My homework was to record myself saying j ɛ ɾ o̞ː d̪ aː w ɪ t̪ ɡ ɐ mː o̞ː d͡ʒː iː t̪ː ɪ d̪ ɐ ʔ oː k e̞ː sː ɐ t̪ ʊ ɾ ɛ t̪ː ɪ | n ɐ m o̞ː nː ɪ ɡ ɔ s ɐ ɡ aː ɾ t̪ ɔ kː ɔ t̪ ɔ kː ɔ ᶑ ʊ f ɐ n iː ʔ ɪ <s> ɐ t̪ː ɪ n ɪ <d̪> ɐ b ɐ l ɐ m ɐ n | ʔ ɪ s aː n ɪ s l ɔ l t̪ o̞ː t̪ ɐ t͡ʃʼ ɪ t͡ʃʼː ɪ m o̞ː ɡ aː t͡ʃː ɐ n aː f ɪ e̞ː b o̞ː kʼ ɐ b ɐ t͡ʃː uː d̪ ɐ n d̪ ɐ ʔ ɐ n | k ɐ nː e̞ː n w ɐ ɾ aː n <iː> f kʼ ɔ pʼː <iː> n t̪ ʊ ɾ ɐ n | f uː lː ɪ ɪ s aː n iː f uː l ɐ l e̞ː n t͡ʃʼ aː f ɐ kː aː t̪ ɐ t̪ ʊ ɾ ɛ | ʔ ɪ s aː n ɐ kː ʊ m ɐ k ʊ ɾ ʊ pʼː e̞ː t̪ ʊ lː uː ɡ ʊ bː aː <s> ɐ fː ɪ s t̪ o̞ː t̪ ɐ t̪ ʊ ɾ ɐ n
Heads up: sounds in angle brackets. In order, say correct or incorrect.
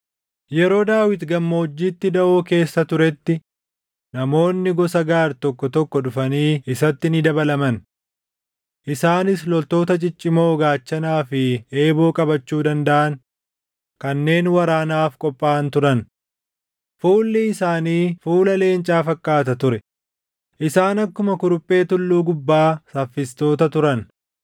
correct, correct, incorrect: aː, incorrect: aː, correct

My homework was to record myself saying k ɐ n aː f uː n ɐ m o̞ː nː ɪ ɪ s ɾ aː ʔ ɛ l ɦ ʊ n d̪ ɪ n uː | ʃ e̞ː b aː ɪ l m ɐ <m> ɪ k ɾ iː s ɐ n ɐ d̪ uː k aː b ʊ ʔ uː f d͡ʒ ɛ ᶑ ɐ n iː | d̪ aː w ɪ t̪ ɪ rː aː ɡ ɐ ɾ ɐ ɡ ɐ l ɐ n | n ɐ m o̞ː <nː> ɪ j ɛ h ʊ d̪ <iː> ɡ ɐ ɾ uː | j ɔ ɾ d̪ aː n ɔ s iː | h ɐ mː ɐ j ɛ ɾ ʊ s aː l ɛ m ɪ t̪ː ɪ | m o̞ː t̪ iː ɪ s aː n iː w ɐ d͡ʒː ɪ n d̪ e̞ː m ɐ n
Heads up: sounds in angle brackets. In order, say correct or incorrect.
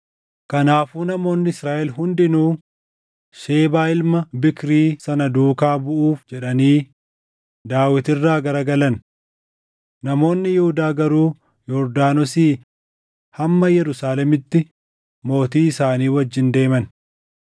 incorrect: b, correct, incorrect: aː

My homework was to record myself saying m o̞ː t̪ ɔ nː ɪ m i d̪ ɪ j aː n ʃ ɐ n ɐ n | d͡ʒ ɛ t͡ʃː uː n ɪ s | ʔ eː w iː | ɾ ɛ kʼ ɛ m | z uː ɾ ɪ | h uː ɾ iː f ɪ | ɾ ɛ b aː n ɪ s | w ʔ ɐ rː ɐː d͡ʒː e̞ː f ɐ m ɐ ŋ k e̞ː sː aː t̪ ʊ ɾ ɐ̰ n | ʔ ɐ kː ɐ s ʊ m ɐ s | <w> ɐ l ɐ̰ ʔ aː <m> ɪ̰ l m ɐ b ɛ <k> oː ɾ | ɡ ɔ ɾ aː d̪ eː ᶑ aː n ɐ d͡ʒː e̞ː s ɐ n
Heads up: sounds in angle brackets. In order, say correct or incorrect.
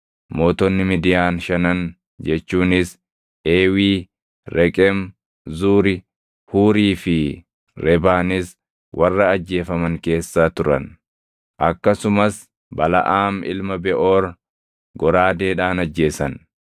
incorrect: b, correct, incorrect: ʔ

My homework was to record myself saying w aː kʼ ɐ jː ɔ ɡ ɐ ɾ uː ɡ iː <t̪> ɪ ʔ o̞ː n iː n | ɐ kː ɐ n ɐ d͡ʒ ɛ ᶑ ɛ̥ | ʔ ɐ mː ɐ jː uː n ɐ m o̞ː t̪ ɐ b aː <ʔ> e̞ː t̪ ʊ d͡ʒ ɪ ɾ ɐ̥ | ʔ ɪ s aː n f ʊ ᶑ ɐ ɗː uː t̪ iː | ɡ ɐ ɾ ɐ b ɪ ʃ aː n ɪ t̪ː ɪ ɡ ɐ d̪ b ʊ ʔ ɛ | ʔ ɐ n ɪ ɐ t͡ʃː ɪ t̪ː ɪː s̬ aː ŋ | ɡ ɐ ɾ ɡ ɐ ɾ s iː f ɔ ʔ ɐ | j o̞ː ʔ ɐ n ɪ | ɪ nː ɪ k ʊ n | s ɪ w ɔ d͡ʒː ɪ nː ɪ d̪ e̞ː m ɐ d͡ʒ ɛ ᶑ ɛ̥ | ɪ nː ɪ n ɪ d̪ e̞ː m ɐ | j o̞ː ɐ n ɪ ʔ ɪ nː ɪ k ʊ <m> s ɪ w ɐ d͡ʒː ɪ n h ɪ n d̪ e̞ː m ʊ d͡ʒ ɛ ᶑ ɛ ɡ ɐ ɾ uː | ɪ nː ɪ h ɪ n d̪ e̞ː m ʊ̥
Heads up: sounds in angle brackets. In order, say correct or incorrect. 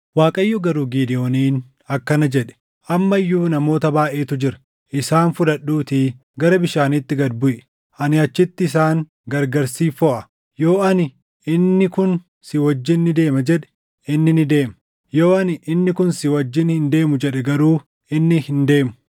incorrect: d̪, correct, incorrect: n

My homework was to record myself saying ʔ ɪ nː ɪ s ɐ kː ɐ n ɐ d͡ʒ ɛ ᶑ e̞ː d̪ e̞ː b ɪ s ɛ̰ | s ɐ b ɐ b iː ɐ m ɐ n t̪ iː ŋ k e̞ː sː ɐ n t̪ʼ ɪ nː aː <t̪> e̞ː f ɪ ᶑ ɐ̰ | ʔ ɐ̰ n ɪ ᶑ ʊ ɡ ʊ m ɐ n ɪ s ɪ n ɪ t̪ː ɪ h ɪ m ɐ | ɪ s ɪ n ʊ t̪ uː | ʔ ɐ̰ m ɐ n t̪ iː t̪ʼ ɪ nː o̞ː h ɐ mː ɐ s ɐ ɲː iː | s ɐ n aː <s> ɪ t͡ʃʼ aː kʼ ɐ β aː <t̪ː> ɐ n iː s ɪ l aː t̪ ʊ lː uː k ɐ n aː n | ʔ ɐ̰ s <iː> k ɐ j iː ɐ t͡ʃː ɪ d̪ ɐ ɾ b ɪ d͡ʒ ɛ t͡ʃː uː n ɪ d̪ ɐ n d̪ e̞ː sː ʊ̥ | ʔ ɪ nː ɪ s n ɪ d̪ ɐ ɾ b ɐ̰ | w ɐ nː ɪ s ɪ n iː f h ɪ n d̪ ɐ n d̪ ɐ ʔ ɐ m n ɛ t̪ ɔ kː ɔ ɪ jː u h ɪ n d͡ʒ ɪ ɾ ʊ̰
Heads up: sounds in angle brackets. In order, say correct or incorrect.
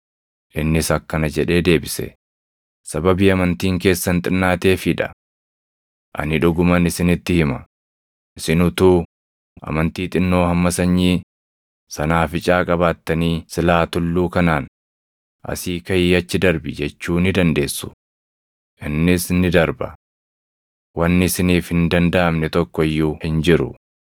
correct, incorrect: f, correct, correct

